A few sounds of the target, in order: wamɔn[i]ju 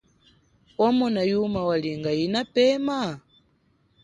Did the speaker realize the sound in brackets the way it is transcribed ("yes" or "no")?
no